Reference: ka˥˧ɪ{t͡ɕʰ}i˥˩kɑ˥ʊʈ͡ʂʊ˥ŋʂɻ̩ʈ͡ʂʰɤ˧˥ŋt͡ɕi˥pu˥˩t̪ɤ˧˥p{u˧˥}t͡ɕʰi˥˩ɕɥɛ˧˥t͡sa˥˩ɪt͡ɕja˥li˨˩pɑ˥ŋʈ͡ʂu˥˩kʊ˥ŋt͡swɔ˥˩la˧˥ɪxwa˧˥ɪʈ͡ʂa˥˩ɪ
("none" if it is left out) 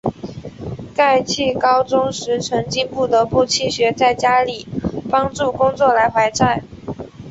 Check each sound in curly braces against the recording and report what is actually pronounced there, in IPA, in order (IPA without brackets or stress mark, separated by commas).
t͡ɕʰ, u˥˩